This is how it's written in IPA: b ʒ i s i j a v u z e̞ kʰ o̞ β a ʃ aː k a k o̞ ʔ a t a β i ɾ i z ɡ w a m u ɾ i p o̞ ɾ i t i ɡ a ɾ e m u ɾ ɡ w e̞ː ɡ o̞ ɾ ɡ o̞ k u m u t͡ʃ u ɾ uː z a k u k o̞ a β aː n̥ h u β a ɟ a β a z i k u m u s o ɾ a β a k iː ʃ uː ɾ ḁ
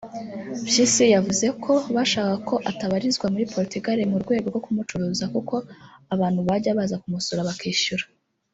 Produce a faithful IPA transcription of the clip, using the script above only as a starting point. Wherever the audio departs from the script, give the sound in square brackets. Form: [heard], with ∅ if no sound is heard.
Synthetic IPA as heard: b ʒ i s i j a v u z e̞ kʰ o̞ β a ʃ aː k a k o̞ ʔ a t a β [a] ɾ i z ɡ w a m u ɾ i p o̞ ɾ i t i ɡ a ɾ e m u ɾ ɡ w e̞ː ɡ o̞ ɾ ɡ o̞ k u m u t͡ʃ u ɾ uː z a k u k o̞ a β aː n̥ h u β a ɟ a β a z [a] k u m u s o ɾ a β a k iː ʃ [u] ɾ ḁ